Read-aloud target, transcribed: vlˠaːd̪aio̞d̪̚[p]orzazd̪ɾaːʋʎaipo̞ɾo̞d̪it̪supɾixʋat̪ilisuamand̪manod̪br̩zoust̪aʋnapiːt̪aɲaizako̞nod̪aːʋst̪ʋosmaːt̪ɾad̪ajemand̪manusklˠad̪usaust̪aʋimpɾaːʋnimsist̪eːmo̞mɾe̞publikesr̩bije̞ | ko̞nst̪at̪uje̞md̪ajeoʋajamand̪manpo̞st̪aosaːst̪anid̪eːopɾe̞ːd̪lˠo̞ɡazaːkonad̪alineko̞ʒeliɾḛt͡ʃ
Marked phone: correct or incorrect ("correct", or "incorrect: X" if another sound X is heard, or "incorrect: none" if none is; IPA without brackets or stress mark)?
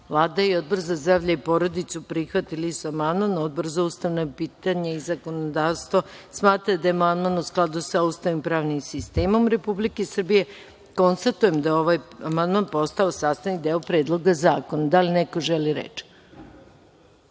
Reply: incorrect: b